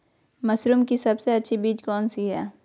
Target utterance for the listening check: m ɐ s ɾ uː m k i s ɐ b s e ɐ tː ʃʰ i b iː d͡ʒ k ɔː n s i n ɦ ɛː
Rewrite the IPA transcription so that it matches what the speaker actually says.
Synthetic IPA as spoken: m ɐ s ɾ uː m k i s ɐ b s e ɐ tː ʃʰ i b iː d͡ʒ k ɔː n s i ɦ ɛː